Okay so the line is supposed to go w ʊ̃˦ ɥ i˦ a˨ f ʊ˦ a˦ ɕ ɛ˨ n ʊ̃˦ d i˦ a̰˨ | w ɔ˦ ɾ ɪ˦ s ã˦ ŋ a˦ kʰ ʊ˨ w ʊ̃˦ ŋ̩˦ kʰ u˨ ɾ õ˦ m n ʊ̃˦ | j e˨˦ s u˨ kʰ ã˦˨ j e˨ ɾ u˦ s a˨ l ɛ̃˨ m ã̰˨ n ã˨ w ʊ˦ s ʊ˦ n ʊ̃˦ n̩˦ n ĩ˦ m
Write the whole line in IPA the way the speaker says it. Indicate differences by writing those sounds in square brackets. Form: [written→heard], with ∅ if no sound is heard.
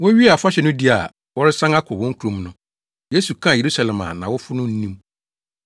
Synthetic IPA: w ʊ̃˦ ɥ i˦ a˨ f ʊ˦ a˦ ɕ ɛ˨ n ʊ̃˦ d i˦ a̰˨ | w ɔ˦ ɾ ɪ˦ s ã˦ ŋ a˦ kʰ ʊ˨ w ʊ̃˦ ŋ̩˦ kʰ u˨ ɾ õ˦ m n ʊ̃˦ | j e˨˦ s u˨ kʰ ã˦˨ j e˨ ɾ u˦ s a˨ l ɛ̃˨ m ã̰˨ n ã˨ w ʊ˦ [s→f] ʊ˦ n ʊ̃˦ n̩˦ n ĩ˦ m

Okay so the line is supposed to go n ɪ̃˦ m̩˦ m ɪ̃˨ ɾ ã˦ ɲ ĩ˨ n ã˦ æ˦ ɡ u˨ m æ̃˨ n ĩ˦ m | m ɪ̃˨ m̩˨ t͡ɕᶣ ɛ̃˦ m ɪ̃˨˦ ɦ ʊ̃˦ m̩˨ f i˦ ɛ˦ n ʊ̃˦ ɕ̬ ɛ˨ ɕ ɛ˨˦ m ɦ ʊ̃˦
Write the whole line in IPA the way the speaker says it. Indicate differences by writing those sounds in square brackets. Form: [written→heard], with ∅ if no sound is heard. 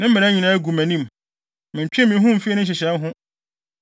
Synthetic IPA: n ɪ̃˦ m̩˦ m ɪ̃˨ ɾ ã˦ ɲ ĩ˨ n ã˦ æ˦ ɡ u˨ m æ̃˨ n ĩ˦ m | m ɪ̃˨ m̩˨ t͡ɕᶣ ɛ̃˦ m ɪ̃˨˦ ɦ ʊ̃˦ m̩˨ f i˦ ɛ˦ n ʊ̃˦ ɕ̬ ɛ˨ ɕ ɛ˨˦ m ɦ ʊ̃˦

